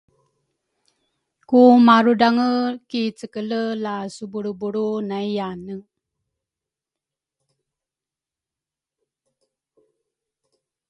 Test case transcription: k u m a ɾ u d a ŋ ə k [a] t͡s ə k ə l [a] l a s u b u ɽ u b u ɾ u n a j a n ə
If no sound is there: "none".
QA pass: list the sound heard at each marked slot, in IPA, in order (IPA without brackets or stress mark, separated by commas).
i, ə